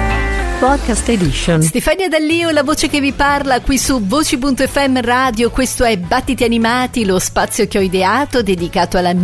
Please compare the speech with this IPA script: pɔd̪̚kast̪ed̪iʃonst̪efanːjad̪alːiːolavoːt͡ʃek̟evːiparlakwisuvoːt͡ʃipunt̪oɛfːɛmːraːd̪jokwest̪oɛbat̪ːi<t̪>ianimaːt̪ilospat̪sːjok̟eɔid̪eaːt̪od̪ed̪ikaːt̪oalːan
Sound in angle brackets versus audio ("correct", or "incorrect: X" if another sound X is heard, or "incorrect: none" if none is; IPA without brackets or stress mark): correct